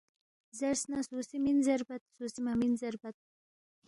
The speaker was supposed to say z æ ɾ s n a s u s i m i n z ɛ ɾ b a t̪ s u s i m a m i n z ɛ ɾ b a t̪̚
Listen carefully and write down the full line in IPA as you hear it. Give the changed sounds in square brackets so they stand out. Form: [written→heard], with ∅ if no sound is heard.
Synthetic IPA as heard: z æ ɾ s n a s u s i m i n z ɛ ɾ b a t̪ s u s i m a m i n z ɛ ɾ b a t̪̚